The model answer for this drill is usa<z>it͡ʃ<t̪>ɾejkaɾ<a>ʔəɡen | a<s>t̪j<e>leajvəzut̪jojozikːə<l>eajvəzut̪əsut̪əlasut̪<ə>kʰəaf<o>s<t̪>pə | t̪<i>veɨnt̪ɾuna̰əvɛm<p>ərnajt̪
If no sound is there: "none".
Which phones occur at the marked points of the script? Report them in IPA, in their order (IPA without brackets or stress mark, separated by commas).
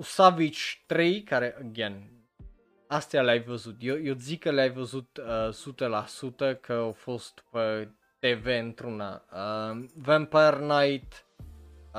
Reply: v, t̪, e, s, a, l, ə, o, t̪, e, p